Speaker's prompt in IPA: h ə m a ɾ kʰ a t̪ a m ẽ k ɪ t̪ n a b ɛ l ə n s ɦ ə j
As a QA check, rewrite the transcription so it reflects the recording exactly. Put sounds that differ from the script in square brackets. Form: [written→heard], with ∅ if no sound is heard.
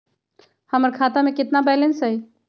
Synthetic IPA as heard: h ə m [a→ə] ɾ kʰ a t̪ a m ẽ k ɪ t̪ n a b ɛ l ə n s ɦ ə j